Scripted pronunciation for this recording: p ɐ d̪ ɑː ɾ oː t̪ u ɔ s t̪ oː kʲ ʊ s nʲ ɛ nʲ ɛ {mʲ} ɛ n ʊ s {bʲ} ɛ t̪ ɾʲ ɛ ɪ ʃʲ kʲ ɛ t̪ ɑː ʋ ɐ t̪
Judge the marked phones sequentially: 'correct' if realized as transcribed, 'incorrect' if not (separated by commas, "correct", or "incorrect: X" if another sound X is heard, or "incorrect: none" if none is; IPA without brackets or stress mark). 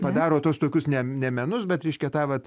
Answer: correct, correct